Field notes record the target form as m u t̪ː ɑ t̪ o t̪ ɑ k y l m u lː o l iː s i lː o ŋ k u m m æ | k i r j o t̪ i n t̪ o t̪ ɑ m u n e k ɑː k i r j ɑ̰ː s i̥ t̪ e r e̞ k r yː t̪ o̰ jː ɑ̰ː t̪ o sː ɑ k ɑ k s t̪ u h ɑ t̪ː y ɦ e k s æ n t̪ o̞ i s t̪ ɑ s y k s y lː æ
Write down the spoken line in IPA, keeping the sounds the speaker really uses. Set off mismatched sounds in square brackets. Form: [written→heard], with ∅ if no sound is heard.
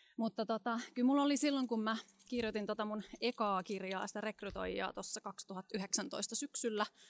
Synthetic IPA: m u t̪ː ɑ t̪ o t̪ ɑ k y l m u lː o l [iː→i] s i lː o ŋ k u m m æ | k i r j o t̪ i n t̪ o t̪ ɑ m u n e k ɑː k i r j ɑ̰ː s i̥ t̪ [e→æ] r e̞ k r [yː→y] t̪ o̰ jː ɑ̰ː t̪ o sː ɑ k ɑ k s t̪ u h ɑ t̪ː y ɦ e k s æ n t̪ o̞ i s t̪ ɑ s y k s y lː æ